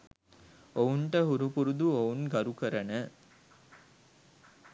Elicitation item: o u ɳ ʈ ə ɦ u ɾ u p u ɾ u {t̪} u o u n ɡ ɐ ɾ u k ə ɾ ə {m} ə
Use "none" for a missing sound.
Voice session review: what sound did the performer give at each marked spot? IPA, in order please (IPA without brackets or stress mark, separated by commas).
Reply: d̪, n